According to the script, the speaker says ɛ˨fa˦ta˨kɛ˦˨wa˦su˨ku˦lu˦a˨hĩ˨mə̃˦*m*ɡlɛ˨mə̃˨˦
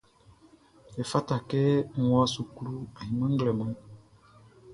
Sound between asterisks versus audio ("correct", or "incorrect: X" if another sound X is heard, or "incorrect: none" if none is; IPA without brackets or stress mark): incorrect: ŋ